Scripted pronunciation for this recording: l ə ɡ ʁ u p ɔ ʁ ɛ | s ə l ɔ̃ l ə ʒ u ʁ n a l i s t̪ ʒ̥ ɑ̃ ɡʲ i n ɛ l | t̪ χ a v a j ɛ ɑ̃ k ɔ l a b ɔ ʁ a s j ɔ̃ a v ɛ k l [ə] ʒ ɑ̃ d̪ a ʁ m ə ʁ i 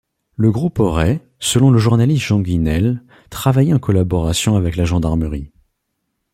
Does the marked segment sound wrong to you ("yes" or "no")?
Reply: yes